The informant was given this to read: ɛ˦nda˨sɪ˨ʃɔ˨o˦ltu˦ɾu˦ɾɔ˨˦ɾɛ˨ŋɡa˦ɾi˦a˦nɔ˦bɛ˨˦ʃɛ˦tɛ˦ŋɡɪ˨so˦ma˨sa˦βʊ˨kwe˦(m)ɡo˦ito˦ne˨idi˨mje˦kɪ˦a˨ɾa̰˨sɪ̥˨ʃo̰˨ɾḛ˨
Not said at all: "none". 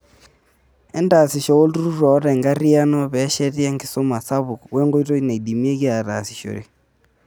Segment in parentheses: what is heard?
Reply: ŋ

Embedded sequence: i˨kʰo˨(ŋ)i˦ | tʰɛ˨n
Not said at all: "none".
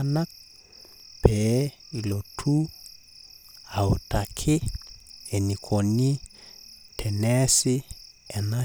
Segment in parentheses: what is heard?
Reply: n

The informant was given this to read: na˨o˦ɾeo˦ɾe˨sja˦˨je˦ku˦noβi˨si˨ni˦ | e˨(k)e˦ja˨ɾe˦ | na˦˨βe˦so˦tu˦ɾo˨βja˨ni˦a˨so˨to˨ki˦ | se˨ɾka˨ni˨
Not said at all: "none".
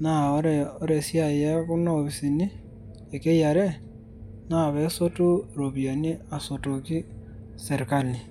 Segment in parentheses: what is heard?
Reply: k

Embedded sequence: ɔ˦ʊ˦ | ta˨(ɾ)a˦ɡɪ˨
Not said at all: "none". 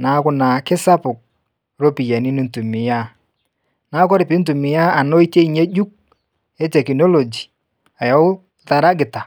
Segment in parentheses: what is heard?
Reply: ɾ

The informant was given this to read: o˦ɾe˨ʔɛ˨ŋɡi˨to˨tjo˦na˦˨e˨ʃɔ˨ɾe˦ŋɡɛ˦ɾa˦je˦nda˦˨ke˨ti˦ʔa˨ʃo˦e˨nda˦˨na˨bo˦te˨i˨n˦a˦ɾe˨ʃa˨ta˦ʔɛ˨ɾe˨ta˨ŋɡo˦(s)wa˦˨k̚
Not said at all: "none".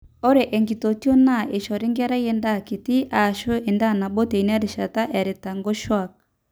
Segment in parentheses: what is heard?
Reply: ʃ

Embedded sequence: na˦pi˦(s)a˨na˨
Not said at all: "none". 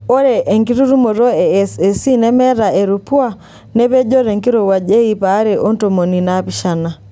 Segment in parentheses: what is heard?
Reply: ʃ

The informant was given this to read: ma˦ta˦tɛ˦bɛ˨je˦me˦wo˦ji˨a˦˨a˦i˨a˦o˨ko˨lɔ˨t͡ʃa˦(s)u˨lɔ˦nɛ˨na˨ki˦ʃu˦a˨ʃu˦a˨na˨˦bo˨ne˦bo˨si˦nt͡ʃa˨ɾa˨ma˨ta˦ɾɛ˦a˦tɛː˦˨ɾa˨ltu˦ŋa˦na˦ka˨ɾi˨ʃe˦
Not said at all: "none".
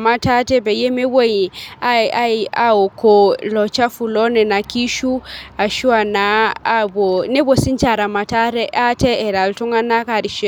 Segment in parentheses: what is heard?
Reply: f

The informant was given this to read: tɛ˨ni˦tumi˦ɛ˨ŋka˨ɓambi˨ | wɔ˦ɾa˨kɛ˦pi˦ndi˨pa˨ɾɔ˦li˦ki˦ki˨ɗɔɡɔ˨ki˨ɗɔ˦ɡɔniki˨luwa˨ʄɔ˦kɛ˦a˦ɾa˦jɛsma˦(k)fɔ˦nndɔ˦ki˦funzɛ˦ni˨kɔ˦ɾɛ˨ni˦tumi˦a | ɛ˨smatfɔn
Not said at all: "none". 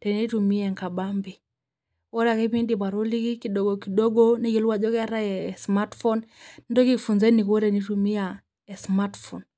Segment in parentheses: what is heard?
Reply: t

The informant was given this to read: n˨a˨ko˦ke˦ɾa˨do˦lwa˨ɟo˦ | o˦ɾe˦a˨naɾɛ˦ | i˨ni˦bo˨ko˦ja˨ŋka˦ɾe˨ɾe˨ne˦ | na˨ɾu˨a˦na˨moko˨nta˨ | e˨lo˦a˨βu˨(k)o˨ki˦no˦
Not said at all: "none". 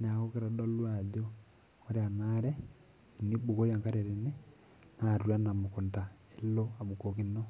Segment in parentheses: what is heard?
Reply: k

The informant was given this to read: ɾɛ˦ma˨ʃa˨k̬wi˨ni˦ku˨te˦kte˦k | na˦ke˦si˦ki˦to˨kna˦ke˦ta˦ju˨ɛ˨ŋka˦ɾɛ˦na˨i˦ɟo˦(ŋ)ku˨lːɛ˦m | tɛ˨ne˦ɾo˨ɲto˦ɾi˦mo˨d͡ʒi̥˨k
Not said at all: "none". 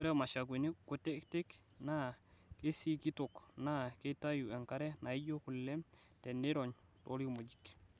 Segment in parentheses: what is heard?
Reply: none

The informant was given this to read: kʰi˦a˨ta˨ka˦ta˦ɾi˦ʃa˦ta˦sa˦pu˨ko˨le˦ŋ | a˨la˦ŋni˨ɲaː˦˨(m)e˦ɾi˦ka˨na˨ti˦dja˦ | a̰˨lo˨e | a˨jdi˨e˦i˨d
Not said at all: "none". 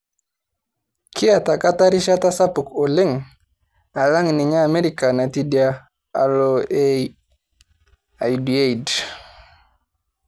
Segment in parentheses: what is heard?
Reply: m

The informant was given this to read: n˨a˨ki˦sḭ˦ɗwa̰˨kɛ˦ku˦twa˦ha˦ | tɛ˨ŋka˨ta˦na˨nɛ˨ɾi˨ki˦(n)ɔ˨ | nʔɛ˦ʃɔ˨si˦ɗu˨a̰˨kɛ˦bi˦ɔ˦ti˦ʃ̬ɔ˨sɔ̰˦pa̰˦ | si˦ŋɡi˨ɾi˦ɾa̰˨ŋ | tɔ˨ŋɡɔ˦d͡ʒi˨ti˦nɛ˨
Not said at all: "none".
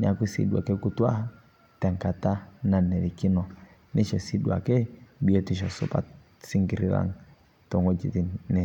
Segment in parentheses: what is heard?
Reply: n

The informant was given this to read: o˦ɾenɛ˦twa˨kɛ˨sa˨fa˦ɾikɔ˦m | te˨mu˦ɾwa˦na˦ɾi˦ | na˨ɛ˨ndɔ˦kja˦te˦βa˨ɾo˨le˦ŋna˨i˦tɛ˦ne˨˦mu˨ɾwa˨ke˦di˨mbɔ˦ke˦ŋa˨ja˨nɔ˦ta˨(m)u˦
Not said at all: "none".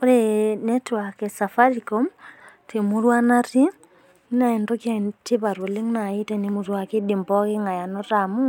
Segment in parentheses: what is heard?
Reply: m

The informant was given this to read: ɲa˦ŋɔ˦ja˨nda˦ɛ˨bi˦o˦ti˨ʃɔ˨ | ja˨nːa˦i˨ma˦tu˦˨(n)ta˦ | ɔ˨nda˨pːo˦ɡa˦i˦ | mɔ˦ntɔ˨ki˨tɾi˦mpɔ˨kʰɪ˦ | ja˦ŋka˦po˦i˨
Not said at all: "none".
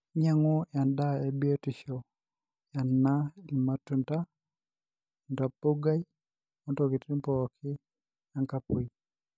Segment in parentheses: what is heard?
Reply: n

